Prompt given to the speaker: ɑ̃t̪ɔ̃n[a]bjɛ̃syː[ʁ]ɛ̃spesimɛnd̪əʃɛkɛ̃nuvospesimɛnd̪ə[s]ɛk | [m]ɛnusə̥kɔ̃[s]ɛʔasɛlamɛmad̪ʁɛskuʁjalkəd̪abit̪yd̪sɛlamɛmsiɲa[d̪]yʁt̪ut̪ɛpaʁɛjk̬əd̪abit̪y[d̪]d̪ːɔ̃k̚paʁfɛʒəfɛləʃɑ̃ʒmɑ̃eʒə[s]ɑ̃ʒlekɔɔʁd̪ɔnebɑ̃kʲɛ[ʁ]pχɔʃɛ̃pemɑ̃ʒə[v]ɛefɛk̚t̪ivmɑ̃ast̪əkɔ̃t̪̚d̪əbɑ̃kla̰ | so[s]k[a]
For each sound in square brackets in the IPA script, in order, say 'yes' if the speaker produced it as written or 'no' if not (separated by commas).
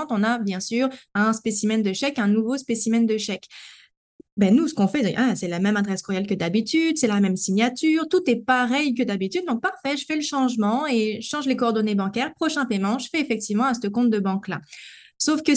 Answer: yes, yes, no, no, no, no, yes, no, yes, no, no, no